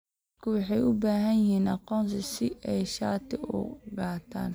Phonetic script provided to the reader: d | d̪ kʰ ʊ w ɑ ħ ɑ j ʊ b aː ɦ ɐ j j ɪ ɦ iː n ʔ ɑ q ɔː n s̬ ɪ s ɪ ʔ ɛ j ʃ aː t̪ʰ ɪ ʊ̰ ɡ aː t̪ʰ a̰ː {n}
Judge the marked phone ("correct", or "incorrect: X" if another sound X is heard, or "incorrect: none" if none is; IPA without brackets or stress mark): correct